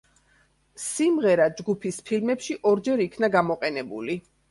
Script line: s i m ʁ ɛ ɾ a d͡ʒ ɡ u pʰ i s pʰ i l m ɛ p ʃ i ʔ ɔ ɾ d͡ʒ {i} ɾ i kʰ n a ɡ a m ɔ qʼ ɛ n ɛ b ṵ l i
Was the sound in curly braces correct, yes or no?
no